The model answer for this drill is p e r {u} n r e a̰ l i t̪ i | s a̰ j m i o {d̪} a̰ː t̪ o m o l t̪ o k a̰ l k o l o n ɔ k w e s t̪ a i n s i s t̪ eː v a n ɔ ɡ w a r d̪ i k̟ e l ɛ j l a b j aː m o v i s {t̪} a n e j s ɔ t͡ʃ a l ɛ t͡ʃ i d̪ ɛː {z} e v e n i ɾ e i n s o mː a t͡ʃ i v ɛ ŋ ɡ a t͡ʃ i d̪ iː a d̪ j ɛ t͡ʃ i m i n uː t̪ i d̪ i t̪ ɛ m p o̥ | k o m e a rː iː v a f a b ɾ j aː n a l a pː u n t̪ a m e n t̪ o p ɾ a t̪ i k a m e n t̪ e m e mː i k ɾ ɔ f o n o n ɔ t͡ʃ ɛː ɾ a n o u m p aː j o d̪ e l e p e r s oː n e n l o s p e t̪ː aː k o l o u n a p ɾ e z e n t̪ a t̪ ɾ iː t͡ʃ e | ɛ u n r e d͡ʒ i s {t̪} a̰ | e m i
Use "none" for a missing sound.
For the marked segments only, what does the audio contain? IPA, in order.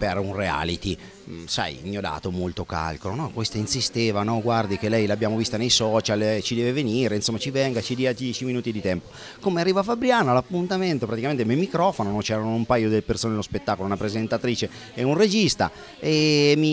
u, d̪, t̪, v, t̪

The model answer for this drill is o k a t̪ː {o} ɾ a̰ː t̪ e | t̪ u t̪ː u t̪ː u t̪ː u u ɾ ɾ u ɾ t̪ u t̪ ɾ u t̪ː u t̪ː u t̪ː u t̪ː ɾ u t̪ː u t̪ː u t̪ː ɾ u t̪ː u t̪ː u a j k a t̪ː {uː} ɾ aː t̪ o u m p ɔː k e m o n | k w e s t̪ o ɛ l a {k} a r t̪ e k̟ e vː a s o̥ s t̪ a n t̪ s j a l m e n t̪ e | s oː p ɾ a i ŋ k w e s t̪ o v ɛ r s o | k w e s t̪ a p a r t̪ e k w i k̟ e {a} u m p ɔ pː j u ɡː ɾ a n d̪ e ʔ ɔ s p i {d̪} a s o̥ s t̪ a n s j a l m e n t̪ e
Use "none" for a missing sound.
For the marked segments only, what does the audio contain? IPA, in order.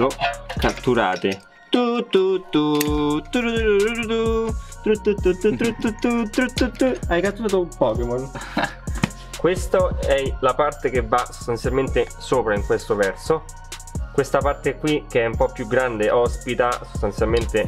u, u, p, ɛ, t̪

